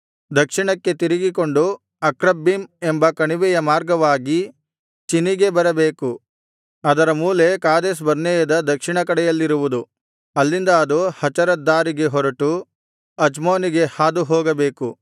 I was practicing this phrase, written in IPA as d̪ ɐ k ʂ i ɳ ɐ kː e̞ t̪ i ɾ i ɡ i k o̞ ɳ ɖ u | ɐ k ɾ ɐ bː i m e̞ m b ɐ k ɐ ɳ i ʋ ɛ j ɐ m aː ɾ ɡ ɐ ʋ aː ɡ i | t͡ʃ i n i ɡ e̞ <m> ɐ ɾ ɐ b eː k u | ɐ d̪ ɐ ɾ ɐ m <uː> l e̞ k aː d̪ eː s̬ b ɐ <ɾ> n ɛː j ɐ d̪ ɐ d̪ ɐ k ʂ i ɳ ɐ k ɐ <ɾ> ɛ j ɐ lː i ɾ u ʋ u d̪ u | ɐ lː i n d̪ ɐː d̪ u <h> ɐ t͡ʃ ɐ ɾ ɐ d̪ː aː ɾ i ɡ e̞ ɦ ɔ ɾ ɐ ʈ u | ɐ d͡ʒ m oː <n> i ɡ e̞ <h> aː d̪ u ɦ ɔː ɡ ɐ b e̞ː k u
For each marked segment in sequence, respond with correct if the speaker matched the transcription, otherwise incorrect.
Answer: incorrect: b, correct, correct, incorrect: ɽ, correct, correct, correct

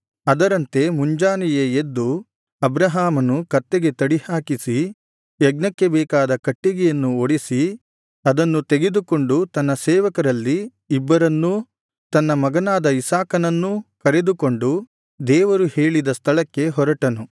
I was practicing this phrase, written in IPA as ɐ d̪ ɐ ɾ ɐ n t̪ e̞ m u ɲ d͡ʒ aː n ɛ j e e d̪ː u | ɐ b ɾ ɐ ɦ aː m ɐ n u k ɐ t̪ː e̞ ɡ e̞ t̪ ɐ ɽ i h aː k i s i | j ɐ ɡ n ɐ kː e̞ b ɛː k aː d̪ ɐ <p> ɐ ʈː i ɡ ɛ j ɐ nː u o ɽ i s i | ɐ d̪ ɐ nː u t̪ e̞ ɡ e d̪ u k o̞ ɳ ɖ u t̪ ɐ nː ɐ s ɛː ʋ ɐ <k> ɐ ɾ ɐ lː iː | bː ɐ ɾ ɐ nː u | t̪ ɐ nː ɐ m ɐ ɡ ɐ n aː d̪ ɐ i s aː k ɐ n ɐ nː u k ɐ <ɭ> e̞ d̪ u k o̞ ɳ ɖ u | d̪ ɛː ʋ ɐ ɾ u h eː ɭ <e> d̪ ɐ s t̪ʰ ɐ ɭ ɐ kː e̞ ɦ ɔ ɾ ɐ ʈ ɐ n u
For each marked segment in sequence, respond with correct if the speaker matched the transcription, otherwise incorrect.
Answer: incorrect: k, correct, incorrect: ɾ, incorrect: i

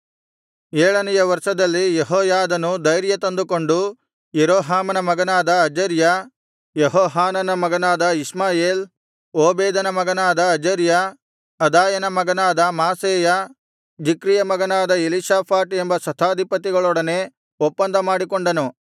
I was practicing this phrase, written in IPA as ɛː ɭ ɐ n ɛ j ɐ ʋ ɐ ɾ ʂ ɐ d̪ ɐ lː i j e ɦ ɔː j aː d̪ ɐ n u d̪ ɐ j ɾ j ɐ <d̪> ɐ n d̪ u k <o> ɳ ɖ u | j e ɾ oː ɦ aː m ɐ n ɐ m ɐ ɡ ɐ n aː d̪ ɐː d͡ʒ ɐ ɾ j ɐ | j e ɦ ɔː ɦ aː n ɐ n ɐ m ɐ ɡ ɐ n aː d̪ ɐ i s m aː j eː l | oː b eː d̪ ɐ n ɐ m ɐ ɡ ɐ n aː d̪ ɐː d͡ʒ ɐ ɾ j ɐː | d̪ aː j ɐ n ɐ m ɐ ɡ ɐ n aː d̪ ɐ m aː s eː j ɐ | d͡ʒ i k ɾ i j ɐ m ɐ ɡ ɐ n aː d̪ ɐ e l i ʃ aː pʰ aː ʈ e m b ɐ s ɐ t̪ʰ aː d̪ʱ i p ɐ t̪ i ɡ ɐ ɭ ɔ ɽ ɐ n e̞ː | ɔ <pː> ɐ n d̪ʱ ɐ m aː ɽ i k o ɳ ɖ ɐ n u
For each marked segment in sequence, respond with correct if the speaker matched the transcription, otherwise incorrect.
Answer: incorrect: t̪, correct, correct

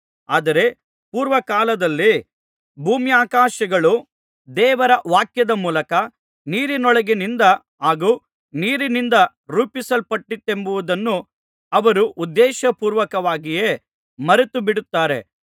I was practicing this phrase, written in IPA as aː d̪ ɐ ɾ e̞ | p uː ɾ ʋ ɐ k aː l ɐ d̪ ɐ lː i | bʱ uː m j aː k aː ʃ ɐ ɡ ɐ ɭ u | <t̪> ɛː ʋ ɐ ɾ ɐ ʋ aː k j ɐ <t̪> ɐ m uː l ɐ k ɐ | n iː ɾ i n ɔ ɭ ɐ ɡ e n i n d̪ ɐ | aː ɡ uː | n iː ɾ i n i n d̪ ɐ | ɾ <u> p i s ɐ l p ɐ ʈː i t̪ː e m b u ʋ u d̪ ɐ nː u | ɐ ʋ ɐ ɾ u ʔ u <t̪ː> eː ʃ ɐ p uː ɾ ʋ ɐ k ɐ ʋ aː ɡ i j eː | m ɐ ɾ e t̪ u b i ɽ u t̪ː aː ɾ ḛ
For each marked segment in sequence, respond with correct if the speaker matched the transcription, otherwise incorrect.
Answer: incorrect: d̪, incorrect: d̪, incorrect: uː, incorrect: d̪ː

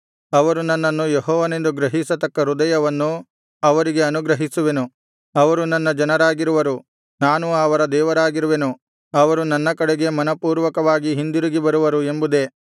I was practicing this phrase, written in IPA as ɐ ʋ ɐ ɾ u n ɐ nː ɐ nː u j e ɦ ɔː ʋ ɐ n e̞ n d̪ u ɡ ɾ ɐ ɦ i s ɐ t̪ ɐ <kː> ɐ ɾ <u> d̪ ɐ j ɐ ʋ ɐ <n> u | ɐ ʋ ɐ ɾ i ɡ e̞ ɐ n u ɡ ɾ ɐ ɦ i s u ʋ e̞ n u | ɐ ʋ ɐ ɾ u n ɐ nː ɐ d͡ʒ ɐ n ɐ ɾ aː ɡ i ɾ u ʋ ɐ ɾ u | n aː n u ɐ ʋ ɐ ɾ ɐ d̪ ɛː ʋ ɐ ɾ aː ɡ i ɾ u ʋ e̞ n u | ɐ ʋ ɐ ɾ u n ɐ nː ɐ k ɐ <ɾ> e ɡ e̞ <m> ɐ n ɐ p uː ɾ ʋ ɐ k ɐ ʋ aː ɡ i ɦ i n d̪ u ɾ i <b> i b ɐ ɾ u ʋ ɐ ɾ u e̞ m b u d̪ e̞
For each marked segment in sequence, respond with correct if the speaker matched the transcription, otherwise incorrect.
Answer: correct, correct, incorrect: nː, incorrect: ɽ, correct, incorrect: ɡ

